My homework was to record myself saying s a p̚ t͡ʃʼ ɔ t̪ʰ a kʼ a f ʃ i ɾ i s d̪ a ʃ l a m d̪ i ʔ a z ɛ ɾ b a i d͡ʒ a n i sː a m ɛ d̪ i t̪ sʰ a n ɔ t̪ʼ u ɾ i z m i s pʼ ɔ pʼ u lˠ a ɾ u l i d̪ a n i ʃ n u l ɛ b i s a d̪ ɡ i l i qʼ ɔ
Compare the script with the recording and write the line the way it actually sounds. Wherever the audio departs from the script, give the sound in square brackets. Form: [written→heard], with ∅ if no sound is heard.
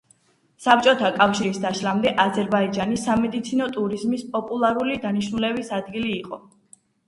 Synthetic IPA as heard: s a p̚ t͡ʃʼ ɔ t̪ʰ a kʼ a f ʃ i ɾ i s d̪ a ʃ l a m d̪ [i→ɛ] ʔ a z ɛ ɾ b a i d͡ʒ a n i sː a m ɛ d̪ i t̪ sʰ [a→i] n ɔ t̪ʼ u ɾ i z m i s pʼ ɔ pʼ u lˠ a ɾ u l i d̪ a n i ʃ n u l ɛ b i s a d̪ ɡ i l [i→iː] qʼ ɔ